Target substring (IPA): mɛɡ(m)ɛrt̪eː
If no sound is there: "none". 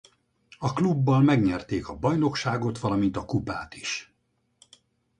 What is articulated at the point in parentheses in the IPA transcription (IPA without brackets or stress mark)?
ɲ